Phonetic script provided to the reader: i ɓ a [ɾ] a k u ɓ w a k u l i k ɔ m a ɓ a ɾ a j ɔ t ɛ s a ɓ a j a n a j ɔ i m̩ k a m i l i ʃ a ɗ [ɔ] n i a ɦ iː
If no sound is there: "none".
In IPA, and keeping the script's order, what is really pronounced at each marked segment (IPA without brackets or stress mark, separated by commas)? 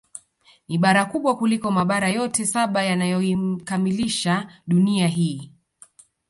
ɾ, u